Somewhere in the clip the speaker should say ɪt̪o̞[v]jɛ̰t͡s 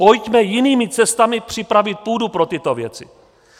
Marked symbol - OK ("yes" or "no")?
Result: yes